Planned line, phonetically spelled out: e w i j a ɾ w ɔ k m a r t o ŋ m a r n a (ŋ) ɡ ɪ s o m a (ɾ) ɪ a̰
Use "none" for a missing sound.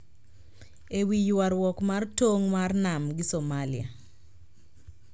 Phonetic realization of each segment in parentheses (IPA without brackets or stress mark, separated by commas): m, l